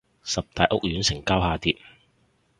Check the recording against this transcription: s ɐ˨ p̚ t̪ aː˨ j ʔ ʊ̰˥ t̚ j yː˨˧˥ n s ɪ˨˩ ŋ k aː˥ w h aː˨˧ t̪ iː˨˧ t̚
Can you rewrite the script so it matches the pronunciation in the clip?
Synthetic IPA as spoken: s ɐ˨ p̚ t̪ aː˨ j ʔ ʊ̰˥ k̚ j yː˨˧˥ n s ɪ˨˩ ŋ k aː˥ w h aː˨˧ t̪ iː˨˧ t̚